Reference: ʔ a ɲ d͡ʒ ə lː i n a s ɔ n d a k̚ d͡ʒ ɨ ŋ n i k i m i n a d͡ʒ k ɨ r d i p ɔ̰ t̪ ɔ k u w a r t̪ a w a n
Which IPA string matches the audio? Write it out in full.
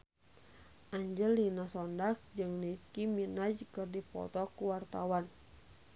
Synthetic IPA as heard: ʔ a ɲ d͡ʒ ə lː i n a s ɔ n d a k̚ d͡ʒ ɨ ŋ n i k i m i n a d͡ʒ k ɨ r d i p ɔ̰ t̪ ɔ k u w a r t̪ a w a n